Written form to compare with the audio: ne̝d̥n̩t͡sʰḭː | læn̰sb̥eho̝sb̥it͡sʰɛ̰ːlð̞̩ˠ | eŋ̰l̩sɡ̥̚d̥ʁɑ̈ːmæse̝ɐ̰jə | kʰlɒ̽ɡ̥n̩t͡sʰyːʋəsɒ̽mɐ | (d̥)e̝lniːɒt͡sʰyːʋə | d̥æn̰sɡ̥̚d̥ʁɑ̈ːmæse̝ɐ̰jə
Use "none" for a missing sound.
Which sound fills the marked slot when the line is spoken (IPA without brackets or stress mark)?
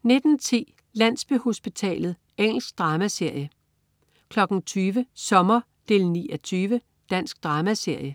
d̥